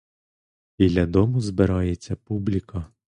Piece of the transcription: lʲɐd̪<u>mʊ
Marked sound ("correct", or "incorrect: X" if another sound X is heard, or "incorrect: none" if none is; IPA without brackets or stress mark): incorrect: ɔ